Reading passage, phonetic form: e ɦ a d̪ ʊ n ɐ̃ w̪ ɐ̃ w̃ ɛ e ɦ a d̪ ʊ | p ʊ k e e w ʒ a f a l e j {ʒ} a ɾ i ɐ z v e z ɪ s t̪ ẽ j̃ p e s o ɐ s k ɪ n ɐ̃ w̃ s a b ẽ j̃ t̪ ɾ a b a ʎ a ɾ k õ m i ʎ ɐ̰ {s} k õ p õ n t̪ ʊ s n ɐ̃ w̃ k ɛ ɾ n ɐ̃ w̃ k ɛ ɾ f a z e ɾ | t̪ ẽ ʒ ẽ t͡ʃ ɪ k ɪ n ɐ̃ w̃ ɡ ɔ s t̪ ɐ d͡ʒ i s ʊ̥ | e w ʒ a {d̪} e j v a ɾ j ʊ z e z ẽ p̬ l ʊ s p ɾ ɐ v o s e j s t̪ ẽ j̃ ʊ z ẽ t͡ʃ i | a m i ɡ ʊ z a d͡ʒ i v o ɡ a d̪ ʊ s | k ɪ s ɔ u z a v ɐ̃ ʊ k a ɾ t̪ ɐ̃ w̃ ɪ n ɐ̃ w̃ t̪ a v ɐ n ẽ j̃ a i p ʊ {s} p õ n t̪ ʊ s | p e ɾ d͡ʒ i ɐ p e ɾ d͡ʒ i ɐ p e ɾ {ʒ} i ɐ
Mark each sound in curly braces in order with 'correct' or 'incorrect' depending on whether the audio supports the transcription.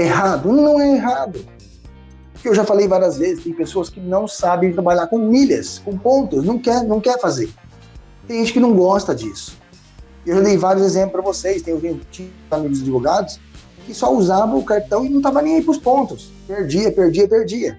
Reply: incorrect: v, correct, correct, correct, incorrect: d͡ʒ

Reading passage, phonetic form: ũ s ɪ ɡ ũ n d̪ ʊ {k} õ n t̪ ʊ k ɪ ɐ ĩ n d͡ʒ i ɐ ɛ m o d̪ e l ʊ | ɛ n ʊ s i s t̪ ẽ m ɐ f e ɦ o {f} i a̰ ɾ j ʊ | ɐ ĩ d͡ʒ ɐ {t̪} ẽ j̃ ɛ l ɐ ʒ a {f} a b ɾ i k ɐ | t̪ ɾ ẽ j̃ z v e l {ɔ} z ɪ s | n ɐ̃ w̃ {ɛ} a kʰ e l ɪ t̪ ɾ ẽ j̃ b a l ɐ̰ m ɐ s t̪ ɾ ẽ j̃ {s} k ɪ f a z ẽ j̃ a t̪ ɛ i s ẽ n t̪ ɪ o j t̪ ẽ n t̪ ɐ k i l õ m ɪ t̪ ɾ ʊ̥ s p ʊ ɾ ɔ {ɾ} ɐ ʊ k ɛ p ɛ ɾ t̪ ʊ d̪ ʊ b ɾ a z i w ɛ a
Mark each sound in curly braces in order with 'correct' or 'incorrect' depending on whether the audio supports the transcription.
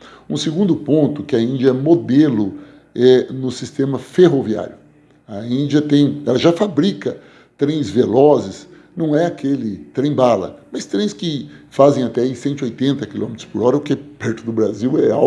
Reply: incorrect: p, incorrect: v, correct, correct, correct, correct, correct, correct

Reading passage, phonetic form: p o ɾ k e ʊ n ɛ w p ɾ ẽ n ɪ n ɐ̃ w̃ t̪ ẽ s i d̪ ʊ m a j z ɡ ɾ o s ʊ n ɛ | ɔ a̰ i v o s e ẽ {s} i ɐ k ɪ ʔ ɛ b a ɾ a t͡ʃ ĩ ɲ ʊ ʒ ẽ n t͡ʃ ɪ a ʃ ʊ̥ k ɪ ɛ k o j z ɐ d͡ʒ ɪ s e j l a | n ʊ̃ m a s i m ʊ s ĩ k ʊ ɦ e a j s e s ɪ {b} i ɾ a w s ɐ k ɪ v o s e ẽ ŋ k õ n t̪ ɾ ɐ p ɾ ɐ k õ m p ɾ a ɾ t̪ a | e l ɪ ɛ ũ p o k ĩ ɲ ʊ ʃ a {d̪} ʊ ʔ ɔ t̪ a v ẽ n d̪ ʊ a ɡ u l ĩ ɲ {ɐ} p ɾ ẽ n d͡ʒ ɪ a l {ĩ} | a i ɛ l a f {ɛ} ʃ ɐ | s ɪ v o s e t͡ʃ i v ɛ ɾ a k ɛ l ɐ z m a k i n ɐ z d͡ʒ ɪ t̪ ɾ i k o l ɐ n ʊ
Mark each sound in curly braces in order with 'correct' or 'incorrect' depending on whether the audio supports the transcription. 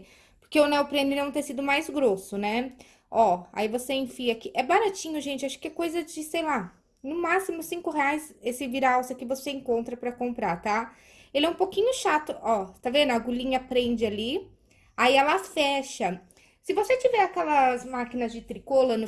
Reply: incorrect: f, incorrect: v, incorrect: t̪, correct, incorrect: i, correct

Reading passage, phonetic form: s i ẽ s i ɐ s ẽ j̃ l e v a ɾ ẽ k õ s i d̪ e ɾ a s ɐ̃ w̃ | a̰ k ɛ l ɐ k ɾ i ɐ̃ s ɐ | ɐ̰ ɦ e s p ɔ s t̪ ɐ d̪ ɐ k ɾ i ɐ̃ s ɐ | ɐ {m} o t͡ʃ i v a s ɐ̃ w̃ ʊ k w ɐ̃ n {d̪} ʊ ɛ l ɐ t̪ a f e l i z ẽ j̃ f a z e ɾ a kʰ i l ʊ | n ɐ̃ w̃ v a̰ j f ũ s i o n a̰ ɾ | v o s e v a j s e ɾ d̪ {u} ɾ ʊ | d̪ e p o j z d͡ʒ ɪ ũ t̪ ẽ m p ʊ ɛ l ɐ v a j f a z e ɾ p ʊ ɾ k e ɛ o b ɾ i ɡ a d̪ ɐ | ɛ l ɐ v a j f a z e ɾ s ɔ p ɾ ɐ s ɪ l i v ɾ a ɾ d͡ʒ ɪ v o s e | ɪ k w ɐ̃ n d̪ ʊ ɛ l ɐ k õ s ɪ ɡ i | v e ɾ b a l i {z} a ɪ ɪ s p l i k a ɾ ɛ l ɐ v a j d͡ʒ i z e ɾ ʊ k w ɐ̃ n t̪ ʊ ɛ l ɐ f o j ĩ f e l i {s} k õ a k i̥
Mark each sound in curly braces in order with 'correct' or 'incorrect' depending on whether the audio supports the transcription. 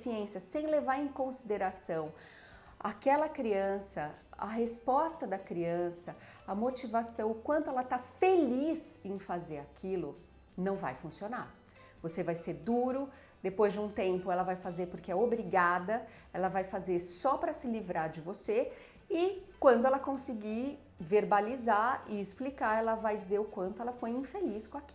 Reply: correct, incorrect: t̪, correct, correct, correct

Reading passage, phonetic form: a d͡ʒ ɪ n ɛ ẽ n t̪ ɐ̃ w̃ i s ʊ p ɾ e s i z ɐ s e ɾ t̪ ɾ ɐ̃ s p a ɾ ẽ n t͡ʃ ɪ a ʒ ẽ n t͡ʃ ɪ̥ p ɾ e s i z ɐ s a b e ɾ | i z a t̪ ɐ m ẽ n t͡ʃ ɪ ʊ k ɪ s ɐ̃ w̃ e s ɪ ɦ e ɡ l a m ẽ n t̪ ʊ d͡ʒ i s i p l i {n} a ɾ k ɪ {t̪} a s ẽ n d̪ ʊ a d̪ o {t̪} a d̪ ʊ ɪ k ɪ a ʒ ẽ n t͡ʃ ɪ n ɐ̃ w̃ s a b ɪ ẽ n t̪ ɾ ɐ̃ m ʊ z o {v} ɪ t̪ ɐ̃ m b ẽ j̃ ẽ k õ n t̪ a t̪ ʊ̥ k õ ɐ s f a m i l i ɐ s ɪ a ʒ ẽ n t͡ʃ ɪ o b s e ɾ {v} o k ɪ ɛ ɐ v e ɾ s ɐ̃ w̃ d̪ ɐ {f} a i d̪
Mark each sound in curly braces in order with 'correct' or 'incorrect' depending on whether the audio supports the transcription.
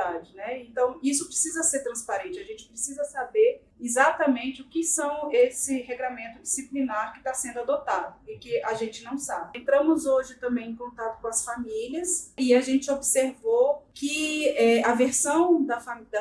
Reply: correct, correct, correct, incorrect: ʒ, correct, correct

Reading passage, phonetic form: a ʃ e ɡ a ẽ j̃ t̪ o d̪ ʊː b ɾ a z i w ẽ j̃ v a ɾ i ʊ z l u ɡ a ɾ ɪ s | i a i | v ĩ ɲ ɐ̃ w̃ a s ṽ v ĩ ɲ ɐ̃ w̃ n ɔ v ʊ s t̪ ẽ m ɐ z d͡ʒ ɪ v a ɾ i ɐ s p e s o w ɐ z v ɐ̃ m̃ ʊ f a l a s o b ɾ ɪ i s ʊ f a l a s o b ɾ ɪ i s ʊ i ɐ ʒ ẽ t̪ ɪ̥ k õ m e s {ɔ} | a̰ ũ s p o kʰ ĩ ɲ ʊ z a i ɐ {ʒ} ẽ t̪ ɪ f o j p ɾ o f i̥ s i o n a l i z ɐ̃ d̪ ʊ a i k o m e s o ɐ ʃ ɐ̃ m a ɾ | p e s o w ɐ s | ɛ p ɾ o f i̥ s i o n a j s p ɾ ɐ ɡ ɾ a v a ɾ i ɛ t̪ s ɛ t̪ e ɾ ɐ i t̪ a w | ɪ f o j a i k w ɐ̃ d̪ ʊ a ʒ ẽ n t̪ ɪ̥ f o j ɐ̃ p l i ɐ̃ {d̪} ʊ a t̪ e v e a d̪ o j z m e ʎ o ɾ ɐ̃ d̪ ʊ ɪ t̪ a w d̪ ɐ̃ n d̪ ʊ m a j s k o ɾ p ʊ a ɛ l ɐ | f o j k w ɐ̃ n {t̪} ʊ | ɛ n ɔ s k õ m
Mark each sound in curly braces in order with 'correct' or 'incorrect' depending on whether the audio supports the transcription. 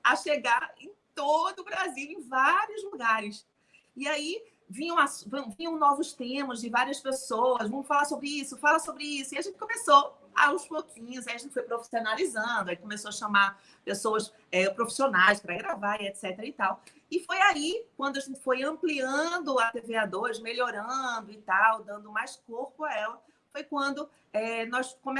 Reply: incorrect: o, correct, correct, incorrect: d̪

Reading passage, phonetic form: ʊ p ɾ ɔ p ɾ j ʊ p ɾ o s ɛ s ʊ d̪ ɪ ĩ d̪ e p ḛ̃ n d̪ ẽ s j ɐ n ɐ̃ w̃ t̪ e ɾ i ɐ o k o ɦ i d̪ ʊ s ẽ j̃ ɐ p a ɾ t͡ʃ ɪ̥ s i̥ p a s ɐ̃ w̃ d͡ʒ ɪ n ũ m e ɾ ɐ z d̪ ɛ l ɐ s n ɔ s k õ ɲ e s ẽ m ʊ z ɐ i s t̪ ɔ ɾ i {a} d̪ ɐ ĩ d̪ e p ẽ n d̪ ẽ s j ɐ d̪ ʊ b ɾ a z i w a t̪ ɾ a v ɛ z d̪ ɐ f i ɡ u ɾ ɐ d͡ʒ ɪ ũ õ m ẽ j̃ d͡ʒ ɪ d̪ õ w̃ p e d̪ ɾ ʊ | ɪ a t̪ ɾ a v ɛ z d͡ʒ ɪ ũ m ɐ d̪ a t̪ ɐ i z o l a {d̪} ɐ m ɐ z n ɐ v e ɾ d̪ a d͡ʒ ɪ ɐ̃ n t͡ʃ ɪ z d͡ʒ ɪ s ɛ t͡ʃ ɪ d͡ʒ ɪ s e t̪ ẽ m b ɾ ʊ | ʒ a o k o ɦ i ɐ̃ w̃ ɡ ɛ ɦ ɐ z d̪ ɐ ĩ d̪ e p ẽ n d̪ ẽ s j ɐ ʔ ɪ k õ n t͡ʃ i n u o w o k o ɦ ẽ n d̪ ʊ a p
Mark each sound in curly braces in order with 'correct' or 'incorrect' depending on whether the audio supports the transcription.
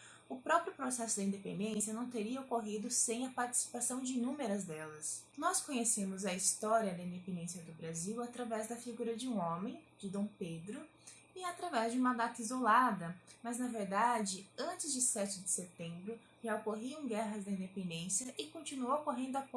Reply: incorrect: ɐ, correct

